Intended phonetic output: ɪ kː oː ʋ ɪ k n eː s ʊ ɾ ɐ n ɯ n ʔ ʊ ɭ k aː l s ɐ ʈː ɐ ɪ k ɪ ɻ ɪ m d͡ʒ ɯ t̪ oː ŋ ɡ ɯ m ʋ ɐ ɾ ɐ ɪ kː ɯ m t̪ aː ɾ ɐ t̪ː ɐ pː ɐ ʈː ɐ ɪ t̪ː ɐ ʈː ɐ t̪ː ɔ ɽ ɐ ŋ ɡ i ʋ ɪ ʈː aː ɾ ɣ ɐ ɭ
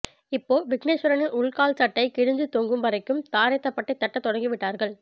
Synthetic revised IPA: ɪ pː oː ʋ ɪ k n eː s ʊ ɾ ɐ n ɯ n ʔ ʊ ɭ k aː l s ɐ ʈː ɐ ɪ k ɪ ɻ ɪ ɲ d͡ʒ ɯ t̪ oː ŋ ɡ ɯ m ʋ ɐ ɾ ɐ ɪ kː ɯ m t̪ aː ɾ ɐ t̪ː ɐ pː ɐ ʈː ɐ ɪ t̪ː ɐ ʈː ɐ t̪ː ɔ ɽ ɐ ŋ ɡ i ʋ ɪ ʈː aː ɾ ɣ ɐ ɭ